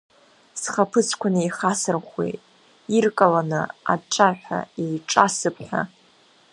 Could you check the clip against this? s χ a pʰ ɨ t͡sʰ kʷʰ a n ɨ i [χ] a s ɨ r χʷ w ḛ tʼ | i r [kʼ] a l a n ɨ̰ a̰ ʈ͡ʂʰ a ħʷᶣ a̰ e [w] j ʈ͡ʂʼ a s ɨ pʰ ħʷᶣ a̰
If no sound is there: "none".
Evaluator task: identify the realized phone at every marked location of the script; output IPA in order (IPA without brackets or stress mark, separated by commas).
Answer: χ, kʼ, none